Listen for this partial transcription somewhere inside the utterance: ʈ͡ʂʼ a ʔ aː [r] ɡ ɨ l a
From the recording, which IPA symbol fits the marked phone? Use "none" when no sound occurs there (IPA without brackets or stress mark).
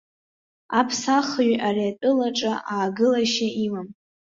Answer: none